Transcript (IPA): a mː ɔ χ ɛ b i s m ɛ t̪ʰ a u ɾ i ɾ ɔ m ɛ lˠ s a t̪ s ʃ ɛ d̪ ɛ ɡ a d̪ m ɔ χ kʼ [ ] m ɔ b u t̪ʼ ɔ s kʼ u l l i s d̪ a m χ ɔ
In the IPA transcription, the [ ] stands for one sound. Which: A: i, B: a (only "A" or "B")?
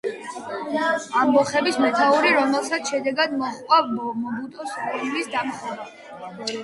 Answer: B